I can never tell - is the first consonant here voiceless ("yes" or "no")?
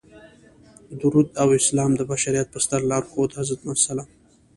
no